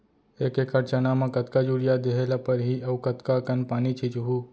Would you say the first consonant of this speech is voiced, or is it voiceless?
voiceless